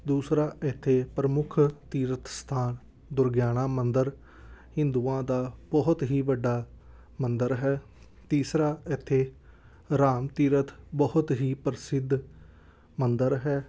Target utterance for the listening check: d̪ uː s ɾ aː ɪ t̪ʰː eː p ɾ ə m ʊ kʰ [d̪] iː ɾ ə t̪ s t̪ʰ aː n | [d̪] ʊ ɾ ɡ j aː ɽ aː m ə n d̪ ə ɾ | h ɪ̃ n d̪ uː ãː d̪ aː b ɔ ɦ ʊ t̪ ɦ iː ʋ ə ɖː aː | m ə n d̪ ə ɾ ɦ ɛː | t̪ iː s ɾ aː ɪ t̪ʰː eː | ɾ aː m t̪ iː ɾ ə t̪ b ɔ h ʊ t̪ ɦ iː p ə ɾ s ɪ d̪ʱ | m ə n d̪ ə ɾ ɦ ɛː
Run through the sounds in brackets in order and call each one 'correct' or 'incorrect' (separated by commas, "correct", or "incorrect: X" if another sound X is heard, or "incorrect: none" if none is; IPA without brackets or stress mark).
incorrect: t̪, correct